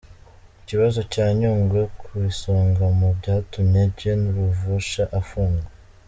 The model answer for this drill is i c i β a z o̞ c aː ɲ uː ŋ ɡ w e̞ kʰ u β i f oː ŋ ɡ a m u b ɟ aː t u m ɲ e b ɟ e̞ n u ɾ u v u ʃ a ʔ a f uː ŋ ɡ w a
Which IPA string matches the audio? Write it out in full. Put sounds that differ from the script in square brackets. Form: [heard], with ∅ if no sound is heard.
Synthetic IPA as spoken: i c i β a z o̞ c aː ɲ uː ŋ ɡ w e̞ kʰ u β i [s] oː ŋ ɡ a m u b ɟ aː t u m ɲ e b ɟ e̞ n u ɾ u v u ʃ a ʔ a f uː ŋ ɡ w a